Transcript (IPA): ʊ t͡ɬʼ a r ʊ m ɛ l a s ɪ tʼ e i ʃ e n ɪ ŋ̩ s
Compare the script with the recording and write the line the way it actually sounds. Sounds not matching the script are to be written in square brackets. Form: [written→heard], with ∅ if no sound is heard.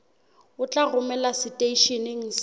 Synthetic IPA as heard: ʊ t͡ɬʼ a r ʊ m ɛ l a s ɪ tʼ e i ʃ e n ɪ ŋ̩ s